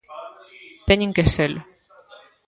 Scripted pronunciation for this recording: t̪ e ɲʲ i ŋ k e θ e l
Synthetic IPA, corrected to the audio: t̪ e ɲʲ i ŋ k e s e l